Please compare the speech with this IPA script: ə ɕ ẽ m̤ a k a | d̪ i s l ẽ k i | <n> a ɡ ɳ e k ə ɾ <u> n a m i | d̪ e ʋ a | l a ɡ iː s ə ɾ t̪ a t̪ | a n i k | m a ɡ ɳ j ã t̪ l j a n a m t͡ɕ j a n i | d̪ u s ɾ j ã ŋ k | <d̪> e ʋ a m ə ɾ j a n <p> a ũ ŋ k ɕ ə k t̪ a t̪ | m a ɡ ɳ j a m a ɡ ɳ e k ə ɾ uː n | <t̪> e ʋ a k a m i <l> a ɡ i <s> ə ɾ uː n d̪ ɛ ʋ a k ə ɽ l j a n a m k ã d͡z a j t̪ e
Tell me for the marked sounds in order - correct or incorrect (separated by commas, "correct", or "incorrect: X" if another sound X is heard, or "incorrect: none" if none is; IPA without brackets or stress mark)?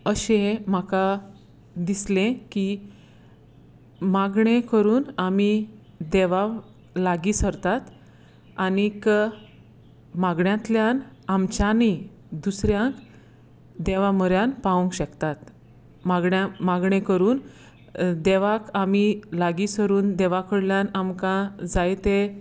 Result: incorrect: m, incorrect: uː, correct, correct, incorrect: d̪, correct, correct